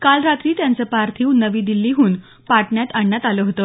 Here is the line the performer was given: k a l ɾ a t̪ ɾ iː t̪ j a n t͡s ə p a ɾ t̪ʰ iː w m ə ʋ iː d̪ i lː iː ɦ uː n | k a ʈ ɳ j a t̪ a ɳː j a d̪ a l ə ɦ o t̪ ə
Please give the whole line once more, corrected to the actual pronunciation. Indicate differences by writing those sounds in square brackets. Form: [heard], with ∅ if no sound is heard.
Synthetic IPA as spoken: k a l ɾ a t̪ ɾ iː t̪ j a n t͡s ə p a ɾ t̪ʰ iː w [n] ə ʋ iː d̪ i lː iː ɦ uː n | [p] a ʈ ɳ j a t̪ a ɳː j a [t̪] a l ə ɦ o t̪ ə